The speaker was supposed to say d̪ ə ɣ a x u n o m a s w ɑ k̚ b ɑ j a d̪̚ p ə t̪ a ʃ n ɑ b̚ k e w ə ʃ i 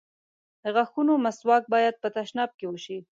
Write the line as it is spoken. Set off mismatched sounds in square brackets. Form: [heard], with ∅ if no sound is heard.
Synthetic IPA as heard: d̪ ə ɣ a x u n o m a s w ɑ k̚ b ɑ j a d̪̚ p ə t̪ a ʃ n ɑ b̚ k e w ə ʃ i